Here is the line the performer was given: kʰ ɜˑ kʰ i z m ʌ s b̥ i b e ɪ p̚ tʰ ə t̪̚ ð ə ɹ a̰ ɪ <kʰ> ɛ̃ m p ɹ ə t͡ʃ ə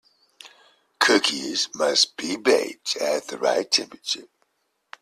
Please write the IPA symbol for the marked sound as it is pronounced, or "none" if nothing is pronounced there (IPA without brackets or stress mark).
tʰ